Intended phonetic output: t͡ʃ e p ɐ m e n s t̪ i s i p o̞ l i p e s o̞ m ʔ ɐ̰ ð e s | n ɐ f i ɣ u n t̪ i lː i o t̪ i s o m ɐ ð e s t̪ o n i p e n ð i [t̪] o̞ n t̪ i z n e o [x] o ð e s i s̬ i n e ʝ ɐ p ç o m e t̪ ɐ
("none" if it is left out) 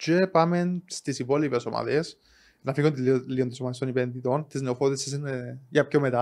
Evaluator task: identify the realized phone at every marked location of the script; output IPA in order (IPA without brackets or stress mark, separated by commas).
t̪, f